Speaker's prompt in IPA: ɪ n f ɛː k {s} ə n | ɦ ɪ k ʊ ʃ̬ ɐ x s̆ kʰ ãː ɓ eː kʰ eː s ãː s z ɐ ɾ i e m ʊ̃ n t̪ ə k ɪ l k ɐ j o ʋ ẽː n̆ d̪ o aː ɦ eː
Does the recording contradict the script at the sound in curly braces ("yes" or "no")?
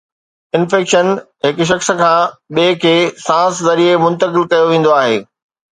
yes